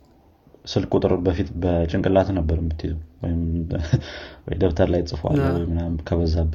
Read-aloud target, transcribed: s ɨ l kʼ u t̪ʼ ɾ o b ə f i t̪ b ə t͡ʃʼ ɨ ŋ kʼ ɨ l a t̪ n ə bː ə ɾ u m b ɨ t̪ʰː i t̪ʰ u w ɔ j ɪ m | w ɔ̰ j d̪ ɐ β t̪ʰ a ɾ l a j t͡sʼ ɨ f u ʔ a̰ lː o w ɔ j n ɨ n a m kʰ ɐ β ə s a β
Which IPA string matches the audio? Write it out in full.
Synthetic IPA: s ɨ l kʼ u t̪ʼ ɾ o b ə f i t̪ b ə t͡ʃʼ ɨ ŋ kʼ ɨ l a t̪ n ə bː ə ɾ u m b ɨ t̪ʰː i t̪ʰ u w ɔ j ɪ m | w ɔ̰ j d̪ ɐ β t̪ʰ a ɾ l a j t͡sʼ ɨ f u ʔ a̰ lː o w ɔ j m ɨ n a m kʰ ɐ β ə z a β